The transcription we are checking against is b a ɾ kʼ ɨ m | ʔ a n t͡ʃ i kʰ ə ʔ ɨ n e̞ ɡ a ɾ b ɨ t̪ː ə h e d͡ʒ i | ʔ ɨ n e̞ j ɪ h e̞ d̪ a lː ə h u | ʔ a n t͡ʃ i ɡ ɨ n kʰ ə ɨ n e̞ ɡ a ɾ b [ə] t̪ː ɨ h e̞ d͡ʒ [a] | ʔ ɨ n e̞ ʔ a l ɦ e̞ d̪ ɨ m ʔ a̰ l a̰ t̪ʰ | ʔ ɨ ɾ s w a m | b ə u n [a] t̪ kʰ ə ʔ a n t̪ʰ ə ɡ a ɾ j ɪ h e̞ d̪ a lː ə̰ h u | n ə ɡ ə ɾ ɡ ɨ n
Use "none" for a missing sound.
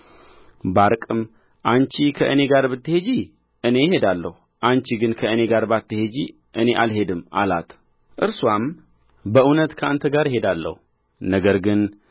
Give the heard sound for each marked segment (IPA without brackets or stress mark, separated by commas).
a, i, ə